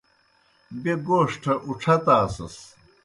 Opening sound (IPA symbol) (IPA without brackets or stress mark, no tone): b